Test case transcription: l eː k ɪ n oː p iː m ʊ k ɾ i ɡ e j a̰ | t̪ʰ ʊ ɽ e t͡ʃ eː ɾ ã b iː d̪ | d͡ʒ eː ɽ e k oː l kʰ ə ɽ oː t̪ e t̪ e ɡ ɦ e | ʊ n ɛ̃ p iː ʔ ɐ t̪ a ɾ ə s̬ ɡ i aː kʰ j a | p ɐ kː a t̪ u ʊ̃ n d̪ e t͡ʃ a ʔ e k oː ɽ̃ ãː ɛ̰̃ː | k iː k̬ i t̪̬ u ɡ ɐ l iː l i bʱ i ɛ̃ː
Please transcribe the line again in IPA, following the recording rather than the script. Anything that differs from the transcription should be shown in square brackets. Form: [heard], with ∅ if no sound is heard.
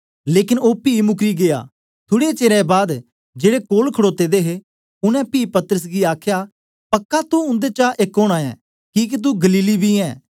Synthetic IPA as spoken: l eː k ɪ n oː p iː m ʊ k ɾ i ɡ e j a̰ | t̪ʰ ʊ ɽ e t͡ʃ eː ɾ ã b [aː] d̪ | d͡ʒ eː ɽ e k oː l kʰ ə ɽ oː t̪ e [d̪] e [∅] ɦ e | ʊ n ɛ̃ p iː [p] ɐ t̪ [ə] ɾ ə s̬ ɡ i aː kʰ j a | p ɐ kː a t̪ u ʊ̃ n d̪ e t͡ʃ a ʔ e k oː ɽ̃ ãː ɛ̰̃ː | k iː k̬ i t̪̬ u ɡ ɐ l iː l i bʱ i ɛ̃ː